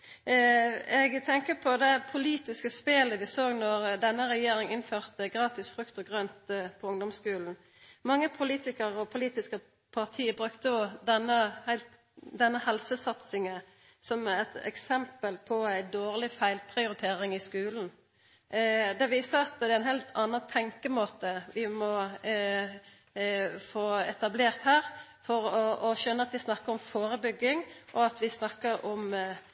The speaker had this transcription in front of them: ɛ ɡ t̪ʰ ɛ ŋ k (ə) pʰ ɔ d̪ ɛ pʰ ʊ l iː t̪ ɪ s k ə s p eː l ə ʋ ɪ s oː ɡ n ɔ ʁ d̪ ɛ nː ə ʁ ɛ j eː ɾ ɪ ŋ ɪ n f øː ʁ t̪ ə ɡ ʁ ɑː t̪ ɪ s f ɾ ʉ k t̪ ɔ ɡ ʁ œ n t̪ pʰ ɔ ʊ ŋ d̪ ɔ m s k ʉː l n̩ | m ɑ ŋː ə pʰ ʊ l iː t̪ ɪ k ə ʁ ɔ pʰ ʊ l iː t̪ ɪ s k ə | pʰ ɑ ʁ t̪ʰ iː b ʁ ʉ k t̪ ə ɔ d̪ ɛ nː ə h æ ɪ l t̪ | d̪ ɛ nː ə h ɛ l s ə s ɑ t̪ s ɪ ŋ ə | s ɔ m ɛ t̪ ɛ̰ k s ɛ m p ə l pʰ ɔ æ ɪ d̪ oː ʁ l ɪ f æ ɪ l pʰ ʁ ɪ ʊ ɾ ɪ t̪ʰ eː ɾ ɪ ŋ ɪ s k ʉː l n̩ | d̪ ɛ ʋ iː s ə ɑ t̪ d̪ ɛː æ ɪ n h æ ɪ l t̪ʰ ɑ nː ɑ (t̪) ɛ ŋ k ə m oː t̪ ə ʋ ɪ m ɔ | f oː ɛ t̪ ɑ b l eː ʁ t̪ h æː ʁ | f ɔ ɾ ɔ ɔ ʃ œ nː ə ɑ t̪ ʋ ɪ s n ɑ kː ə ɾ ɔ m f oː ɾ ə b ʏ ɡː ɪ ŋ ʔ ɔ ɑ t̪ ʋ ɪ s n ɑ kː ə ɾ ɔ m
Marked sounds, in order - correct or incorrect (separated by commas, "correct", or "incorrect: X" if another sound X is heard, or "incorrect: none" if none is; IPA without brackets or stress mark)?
correct, incorrect: t̪ʰ